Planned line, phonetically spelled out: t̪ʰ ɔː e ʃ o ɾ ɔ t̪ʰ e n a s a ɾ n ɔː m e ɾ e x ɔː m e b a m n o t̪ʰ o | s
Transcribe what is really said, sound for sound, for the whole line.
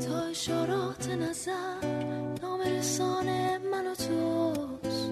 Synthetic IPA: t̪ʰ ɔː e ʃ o ɾ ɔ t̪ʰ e n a z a ɾ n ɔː m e ɾ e s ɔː n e m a n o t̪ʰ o | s